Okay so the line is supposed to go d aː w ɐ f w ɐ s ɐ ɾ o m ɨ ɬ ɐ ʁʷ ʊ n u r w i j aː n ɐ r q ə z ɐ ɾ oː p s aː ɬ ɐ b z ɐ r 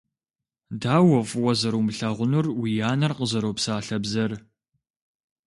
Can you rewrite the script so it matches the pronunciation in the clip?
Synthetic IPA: d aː w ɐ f w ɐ z ɐ ɾ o m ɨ ɬ ɐ ʁʷ ʊ n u r w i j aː n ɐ r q ə z ɐ ɾ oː p s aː ɬ ɐ b z ɐ r